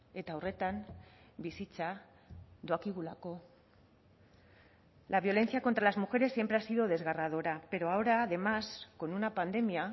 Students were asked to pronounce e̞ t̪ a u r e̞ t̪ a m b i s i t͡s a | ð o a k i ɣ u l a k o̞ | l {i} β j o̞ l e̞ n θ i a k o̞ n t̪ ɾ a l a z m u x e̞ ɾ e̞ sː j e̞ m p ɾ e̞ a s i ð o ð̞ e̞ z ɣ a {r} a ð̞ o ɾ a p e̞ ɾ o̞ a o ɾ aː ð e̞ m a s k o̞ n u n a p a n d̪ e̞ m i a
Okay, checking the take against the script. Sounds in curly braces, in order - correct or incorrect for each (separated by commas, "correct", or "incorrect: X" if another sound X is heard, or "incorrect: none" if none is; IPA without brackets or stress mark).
incorrect: a, correct